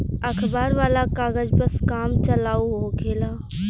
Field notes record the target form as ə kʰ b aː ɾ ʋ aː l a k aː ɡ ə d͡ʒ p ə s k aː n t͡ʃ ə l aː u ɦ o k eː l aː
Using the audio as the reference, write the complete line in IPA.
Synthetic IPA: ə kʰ b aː ɾ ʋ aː l a k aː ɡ ə d͡ʒ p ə s k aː m t͡ʃ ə l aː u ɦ o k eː l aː